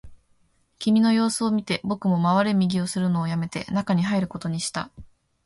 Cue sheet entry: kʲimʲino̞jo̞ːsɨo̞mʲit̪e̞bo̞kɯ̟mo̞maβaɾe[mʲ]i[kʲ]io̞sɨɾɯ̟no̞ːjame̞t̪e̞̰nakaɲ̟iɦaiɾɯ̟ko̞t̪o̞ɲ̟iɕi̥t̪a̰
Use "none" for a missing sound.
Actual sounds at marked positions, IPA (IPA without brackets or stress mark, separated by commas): mʲ, ɡʲ